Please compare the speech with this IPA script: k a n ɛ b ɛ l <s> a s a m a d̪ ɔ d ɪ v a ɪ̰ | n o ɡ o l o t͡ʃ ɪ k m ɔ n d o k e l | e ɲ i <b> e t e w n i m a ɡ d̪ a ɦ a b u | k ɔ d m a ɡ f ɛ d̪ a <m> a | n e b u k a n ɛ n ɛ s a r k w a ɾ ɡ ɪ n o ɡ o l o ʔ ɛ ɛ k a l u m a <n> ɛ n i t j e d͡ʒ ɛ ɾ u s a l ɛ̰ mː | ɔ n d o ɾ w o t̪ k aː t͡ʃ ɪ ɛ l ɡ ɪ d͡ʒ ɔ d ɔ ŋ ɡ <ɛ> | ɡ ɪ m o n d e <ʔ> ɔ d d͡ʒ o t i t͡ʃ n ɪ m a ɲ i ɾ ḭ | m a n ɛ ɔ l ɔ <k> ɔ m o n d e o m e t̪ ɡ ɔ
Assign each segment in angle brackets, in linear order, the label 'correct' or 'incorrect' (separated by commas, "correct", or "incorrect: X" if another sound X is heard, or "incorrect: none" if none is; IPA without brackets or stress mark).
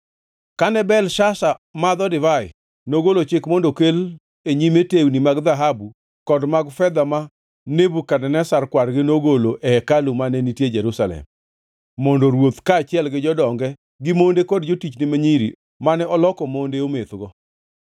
incorrect: ʃ, incorrect: m, correct, correct, correct, incorrect: k, correct